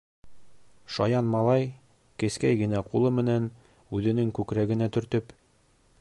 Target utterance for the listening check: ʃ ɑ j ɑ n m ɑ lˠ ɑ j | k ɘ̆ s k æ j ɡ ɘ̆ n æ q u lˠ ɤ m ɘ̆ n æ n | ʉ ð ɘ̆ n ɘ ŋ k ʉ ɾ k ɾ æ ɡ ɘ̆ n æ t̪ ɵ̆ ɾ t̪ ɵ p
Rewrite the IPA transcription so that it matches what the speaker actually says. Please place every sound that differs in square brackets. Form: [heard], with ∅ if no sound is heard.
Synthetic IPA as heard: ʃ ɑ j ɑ n m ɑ lˠ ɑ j | k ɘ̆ s k æ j ɡ ɘ̆ n æ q u lˠ ɤ m ɘ̆ n æ n | ʉ ð ɘ̆ n ɘ ŋ k ʉ [∅] k ɾ æ ɡ ɘ̆ n æ t̪ ɵ̆ ɾ t̪ ɵ p